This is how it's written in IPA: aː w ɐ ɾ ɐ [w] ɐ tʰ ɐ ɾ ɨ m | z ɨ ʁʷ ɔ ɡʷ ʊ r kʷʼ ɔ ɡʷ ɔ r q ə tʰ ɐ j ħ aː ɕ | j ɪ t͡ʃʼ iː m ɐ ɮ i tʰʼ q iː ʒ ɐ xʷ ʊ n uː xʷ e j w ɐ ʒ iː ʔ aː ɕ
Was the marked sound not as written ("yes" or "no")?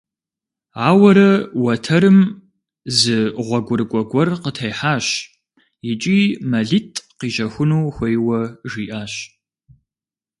no